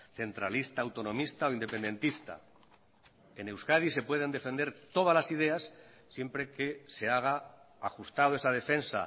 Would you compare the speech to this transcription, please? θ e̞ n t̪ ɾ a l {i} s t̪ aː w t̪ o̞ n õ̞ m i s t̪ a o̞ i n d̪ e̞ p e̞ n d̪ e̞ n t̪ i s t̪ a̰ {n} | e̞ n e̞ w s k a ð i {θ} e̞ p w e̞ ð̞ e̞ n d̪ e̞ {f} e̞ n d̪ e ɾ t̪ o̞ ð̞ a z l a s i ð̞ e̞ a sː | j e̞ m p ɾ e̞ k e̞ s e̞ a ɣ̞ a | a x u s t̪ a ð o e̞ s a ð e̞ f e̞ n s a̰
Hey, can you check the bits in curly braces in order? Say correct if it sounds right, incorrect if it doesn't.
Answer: correct, incorrect: none, incorrect: s, correct

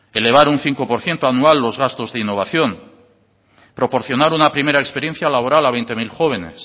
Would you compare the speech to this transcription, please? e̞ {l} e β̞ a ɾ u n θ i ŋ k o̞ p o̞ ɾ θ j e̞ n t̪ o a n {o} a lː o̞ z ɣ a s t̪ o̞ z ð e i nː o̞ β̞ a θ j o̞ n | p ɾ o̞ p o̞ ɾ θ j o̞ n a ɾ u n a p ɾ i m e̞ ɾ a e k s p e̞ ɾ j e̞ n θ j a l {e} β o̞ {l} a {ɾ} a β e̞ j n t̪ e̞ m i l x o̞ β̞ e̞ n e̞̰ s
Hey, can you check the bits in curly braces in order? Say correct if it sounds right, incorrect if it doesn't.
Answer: correct, incorrect: u, incorrect: a, incorrect: ɾ, incorrect: l

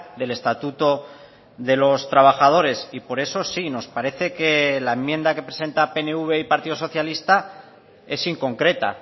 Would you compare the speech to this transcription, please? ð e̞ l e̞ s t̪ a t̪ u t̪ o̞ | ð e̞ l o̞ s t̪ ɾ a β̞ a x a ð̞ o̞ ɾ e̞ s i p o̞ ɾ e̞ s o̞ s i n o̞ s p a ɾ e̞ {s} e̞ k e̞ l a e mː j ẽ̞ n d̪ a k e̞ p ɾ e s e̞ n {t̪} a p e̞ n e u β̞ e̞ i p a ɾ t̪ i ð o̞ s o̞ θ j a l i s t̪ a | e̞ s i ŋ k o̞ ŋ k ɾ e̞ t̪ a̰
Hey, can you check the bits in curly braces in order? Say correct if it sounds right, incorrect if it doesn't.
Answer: incorrect: θ, correct

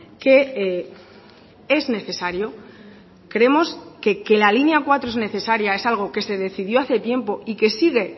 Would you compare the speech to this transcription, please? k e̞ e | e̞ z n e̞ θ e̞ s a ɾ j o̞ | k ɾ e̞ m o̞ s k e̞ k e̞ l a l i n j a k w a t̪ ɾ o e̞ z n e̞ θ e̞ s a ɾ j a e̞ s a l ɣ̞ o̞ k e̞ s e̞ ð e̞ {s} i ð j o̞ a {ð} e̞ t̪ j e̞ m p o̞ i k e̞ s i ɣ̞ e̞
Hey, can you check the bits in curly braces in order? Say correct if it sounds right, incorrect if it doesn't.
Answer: incorrect: θ, incorrect: θ

